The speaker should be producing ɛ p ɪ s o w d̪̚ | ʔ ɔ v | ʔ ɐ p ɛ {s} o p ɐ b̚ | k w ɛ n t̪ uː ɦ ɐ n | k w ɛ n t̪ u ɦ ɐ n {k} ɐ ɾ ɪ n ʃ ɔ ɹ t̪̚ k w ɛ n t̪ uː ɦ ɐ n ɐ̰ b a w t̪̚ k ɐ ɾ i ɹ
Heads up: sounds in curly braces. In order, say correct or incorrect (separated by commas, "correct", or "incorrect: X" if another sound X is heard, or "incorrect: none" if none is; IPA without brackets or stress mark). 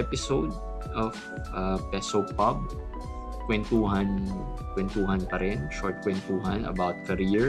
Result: correct, incorrect: p